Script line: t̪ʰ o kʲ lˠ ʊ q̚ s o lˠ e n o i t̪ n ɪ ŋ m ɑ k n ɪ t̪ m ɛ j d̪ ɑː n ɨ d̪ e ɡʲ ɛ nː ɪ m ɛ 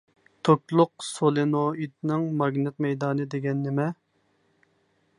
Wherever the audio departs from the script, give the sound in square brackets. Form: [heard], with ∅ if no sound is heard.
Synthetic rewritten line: t̪ʰ o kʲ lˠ ʊ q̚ s o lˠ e n o i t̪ n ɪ ŋ m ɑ [ɡ] n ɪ t̪ m ɛ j d̪ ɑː n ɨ d̪ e ɡʲ ɛ nː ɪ m ɛ